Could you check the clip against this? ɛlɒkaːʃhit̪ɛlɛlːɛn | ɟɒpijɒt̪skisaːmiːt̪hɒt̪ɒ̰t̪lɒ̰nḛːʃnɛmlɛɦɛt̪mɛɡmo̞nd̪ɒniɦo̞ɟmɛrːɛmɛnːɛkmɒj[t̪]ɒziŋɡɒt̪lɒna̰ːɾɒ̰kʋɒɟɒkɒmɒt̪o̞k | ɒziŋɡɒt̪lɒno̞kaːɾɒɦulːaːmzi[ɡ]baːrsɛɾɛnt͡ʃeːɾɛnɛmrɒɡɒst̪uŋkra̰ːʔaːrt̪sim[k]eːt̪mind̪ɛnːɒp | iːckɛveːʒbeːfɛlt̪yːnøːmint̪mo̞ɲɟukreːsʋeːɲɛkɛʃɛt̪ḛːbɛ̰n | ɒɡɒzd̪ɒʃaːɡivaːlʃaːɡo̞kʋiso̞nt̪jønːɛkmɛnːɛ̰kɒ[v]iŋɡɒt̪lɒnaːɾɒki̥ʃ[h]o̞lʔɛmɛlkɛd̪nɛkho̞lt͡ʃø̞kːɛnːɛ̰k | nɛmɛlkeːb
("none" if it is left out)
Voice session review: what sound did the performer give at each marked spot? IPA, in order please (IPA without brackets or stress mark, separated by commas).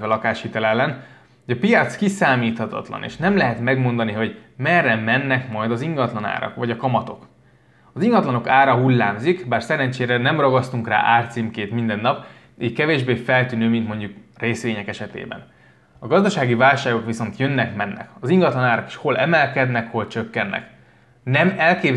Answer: d̪, k, k, z, h